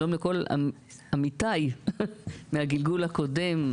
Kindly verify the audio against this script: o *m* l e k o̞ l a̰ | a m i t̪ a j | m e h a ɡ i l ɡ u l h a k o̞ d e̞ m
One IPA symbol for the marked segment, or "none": m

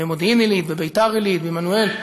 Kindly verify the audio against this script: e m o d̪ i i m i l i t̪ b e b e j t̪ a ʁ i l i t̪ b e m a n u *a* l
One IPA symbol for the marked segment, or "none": e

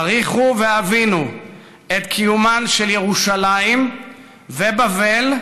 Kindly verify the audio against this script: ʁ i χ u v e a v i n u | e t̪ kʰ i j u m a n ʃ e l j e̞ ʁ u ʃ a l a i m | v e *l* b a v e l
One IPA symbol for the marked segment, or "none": none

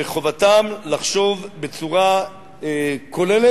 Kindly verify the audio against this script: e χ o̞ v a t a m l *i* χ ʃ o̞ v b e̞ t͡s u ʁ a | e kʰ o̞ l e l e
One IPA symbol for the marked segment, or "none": a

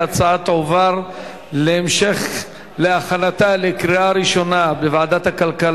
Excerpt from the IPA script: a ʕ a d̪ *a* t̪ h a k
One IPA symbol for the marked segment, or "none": a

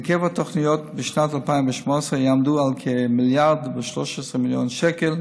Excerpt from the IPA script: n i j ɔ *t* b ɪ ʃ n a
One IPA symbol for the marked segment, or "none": t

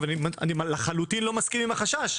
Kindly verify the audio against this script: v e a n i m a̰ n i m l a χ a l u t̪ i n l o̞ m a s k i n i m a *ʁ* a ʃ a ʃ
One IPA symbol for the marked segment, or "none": χ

